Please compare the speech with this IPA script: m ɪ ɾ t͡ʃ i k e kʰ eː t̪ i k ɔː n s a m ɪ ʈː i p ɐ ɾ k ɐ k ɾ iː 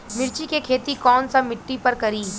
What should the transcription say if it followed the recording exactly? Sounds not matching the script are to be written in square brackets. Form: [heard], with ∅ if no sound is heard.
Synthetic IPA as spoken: m ɪ ɾ t͡ʃ i k e kʰ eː t̪ i k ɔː n s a m ɪ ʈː i p ɐ ɾ k ɐ [∅] ɾ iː

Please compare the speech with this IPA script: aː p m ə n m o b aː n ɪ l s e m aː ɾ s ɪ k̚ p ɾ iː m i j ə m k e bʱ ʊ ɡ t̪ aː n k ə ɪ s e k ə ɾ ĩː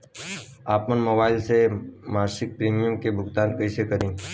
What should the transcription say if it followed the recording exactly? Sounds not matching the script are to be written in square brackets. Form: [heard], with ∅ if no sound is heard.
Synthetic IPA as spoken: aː p m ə n m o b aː [∅] ɪ l s e m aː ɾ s ɪ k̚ p ɾ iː m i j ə m k e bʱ ʊ ɡ t̪ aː n k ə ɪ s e k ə ɾ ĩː

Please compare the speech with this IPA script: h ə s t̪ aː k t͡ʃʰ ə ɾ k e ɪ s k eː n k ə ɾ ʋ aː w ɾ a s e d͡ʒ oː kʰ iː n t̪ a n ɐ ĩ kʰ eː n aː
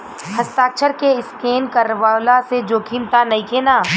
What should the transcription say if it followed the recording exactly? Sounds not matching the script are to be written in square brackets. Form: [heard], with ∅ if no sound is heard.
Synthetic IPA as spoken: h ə s t̪ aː k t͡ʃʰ ə ɾ k e ɪ s k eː n k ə ɾ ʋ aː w [l] a s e d͡ʒ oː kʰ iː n t̪ a n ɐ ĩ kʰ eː n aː

